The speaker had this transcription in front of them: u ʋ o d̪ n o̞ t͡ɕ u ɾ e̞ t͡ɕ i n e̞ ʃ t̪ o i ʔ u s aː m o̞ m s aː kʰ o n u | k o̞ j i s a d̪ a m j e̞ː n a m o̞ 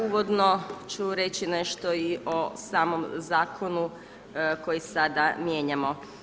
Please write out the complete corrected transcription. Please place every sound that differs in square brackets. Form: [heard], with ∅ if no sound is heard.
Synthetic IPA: u ʋ o d̪ n o̞ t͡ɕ u ɾ e̞ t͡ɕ i n e̞ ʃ t̪ o i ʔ [o] s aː m o̞ m [z] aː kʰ o n u | k o̞ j i s a d̪ a m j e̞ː [ɲ] a m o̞